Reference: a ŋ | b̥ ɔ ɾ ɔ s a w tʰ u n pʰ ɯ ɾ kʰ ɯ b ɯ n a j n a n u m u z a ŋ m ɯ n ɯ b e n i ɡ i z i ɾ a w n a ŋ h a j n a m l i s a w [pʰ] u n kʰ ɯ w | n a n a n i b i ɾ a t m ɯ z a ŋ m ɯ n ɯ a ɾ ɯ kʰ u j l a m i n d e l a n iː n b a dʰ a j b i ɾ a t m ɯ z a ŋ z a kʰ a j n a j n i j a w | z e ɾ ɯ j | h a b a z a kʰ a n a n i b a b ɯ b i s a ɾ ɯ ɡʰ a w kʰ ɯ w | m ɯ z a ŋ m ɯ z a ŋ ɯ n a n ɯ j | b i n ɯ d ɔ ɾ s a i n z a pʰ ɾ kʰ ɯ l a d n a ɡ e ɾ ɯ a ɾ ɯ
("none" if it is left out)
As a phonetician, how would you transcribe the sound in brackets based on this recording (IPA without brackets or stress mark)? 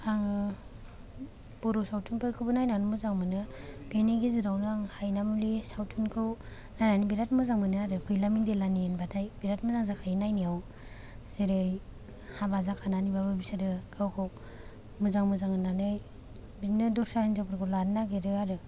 tʰ